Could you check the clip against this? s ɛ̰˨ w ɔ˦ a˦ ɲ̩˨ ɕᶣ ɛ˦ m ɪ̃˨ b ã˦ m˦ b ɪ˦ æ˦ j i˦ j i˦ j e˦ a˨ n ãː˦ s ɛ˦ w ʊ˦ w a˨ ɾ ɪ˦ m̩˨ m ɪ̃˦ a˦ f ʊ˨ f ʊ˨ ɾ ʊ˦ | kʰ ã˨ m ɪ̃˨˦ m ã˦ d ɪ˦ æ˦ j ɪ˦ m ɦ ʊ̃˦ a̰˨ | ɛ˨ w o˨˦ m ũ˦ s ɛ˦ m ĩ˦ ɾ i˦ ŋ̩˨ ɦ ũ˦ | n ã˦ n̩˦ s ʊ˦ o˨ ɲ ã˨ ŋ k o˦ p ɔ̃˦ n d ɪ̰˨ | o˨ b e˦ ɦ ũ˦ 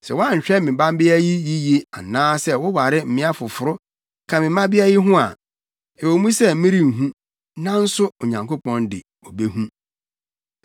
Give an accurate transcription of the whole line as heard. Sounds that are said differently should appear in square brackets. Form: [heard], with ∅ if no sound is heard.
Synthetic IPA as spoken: s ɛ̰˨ w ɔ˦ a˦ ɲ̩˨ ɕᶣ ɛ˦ m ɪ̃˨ b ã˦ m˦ b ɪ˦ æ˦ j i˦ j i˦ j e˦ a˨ n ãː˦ s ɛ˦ w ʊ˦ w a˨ ɾ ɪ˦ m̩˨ m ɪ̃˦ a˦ f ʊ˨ f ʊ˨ ɾ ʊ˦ | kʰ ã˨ m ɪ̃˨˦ m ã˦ [b] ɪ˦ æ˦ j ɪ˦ [∅] ɦ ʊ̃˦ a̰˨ | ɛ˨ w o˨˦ m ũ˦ s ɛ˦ m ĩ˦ ɾ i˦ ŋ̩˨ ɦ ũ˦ | n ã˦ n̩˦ s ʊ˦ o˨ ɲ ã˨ ŋ k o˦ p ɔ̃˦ n d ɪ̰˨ | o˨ b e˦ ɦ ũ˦

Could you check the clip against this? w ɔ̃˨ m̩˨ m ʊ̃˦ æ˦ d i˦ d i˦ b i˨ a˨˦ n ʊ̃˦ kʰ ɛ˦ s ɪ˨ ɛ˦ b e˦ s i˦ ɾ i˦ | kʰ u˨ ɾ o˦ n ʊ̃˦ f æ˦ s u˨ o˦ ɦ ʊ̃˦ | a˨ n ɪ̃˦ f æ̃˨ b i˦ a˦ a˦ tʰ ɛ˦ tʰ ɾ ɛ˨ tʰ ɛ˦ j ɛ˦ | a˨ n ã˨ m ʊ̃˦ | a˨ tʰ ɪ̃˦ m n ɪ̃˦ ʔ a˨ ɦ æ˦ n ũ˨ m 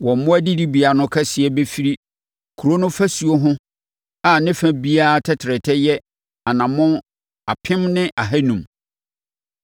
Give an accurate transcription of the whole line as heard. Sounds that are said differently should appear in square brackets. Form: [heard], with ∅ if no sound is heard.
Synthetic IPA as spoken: w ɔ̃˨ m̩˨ m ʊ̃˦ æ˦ d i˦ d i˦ b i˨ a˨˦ n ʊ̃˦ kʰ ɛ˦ s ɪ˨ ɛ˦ b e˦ [f] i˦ ɾ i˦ | kʰ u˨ ɾ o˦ n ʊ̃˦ f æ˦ s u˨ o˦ ɦ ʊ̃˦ | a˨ n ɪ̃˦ f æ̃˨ b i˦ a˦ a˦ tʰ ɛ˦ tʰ ɾ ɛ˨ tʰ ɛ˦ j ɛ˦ | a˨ n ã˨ m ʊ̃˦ | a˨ [pʰ] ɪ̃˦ m n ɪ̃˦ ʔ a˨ ɦ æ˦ n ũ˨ m

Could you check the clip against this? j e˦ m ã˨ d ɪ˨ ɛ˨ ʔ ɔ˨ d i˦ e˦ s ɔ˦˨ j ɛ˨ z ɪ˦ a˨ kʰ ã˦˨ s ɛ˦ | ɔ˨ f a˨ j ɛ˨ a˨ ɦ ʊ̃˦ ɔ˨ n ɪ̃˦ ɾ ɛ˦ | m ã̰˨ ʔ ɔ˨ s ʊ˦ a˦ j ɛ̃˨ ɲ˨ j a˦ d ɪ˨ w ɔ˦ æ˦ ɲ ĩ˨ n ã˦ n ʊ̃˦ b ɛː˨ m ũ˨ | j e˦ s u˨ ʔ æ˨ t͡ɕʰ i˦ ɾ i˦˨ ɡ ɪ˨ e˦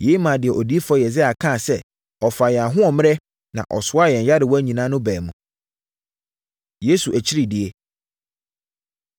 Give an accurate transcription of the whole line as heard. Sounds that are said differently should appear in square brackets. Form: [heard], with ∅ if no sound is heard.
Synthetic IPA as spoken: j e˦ m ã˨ d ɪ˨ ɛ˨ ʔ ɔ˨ d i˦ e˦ [f] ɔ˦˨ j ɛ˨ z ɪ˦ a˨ kʰ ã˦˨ s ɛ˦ | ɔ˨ f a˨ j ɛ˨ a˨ ɦ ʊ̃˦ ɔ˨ [m] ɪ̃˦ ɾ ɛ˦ | [n] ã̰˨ ʔ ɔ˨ s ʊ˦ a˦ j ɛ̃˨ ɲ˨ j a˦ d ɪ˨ w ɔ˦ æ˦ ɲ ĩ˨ n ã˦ n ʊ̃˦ b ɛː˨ m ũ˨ | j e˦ s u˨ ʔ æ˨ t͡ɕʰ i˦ ɾ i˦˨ [d] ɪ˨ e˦

